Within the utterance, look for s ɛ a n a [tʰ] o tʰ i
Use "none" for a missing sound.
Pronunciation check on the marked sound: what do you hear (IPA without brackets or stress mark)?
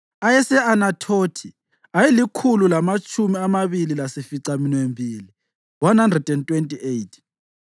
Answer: tʰ